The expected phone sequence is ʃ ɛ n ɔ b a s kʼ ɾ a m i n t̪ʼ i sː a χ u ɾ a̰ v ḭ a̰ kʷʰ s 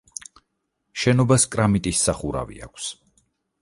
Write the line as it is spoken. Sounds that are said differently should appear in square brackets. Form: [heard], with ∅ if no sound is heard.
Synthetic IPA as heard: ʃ ɛ n ɔ b a s kʼ ɾ a m i [∅] t̪ʼ i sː a χ u ɾ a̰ v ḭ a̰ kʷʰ s